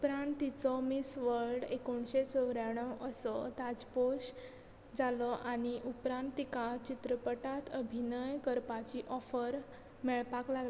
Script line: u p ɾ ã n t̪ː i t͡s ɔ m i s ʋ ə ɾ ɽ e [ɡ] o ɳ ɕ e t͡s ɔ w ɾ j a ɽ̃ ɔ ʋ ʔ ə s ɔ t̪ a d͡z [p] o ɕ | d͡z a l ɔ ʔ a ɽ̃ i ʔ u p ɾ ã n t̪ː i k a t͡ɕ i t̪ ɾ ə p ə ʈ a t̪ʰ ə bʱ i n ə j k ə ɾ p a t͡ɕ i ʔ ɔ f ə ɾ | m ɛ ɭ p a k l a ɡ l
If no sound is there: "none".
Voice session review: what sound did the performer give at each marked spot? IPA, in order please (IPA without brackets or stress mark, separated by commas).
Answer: k, p